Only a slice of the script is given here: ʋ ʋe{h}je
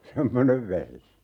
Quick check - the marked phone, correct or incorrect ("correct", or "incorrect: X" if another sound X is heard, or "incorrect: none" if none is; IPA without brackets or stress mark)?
correct